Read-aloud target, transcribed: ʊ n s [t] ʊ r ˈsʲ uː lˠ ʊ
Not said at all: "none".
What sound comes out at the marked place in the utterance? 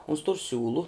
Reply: t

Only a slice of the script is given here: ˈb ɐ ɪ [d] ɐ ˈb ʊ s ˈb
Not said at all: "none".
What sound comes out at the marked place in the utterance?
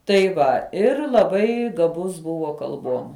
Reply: ɡ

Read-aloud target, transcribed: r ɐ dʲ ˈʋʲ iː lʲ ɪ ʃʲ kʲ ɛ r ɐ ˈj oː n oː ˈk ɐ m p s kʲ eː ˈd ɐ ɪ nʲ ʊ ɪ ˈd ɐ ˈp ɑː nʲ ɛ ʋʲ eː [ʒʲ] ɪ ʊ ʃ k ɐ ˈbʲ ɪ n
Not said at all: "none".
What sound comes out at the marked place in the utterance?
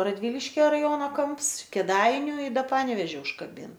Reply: ʒʲ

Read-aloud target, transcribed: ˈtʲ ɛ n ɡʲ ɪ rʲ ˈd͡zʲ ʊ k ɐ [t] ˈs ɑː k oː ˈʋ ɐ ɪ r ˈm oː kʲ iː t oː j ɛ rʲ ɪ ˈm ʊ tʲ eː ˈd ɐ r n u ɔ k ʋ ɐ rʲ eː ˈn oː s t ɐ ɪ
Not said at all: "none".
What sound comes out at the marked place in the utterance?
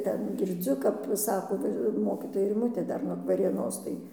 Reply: p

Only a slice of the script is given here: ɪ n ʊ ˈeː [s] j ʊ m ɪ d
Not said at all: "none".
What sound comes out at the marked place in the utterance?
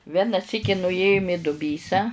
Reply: none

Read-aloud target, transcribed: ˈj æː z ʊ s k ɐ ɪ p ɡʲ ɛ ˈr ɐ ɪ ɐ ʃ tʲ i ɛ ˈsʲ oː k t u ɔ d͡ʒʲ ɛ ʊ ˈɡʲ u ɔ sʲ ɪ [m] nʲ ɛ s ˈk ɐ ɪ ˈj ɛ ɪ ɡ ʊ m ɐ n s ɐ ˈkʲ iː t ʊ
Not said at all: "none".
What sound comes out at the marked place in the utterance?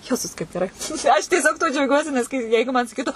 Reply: none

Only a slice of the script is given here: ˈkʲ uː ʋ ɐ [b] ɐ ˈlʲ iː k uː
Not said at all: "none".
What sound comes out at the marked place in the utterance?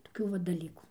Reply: d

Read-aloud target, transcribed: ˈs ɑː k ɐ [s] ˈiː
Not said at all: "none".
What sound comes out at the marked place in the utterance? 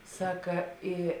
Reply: none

